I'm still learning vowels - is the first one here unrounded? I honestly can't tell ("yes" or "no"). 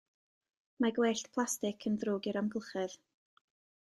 yes